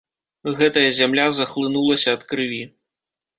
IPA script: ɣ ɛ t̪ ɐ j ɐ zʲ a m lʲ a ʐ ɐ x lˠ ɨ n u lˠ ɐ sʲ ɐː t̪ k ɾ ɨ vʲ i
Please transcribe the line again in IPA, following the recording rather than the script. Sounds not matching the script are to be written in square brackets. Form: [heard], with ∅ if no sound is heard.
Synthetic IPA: ɣ ɛ t̪ ɐ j ɐ zʲ a m lʲ a [z] ɐ x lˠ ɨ n u lˠ ɐ sʲ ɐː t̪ k ɾ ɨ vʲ i